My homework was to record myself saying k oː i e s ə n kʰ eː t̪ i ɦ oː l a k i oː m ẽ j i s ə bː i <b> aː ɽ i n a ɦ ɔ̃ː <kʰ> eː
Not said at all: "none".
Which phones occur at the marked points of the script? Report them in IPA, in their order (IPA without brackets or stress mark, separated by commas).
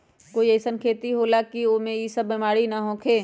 m, kʰ